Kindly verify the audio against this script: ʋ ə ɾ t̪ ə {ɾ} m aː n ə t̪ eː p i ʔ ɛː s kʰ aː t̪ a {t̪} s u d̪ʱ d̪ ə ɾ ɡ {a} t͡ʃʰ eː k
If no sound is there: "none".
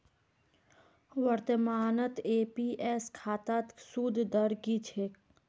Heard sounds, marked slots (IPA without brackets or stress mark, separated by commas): none, t̪, i